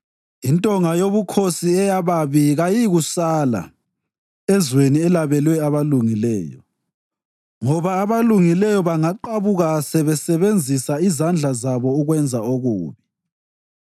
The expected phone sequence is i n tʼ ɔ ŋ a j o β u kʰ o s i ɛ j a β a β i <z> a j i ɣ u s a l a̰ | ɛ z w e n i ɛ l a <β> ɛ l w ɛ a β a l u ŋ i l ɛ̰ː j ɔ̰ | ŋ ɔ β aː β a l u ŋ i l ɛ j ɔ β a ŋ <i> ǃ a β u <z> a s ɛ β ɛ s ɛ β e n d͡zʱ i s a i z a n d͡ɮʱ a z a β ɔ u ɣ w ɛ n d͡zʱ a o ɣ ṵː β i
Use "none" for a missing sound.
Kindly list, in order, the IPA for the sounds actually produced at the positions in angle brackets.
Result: ɣ, β, a, ɣ

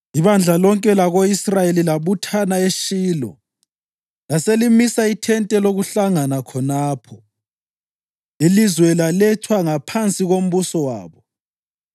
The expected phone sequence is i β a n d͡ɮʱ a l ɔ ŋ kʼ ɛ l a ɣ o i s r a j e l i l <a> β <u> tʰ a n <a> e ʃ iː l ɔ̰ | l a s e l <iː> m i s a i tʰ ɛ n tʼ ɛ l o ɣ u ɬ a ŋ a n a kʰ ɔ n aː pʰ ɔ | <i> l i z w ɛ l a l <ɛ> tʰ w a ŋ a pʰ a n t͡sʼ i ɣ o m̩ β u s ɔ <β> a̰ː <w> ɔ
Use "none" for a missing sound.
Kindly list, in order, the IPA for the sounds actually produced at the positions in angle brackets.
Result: a, u, a, i, i, ɛ, w, β

